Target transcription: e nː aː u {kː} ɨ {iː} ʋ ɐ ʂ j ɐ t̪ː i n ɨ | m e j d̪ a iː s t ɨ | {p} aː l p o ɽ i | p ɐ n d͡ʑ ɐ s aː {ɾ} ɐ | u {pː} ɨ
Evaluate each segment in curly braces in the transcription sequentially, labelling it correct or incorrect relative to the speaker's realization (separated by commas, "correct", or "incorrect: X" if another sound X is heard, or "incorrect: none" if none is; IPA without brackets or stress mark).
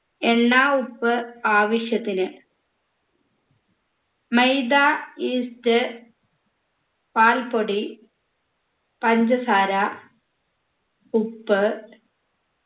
incorrect: pː, incorrect: aː, correct, correct, correct